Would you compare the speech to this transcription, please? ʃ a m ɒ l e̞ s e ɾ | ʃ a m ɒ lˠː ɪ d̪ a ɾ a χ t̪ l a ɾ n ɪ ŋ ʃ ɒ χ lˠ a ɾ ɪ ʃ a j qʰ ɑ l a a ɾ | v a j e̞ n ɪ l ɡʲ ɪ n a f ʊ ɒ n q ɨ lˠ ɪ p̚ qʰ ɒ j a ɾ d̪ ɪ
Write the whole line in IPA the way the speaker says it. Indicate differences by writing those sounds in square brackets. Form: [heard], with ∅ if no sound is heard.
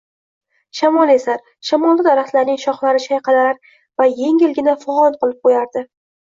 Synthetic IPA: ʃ a m ɒ l e̞ s [a] ɾ | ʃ a m ɒ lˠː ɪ d̪ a ɾ a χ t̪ l a ɾ n ɪ ŋ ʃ ɒ χ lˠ a ɾ ɪ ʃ a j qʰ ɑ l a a ɾ | v a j e̞ [ŋ] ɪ l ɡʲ ɪ n a f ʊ ɒ n q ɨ lˠ ɪ p̚ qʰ [o] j a ɾ d̪ ɪ